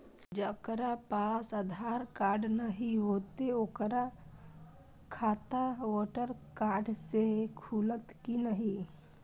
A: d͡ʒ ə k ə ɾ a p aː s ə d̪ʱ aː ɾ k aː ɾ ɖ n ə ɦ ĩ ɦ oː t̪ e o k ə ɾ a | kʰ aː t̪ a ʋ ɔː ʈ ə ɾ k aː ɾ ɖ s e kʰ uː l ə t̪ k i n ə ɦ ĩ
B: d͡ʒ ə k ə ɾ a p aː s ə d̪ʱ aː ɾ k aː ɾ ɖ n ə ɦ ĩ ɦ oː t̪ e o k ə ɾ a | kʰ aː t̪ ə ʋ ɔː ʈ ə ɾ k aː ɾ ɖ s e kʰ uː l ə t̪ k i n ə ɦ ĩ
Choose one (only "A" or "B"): A